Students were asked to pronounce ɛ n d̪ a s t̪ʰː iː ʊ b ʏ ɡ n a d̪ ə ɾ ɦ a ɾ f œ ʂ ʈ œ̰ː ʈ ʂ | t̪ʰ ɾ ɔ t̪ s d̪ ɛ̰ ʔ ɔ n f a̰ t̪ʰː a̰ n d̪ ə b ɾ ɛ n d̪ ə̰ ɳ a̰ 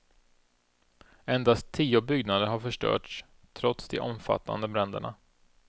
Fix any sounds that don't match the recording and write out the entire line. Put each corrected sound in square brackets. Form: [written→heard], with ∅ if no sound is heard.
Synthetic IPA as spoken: ɛ n d̪ a s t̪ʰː iː ʊ b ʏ ɡ n a d̪ ə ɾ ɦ a ɾ f œ ʂ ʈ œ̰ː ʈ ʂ | t̪ʰ ɾ ɔ t̪ s d̪ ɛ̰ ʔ ɔ [n→m] f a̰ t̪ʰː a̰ n d̪ ə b ɾ ɛ n d̪ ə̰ ɳ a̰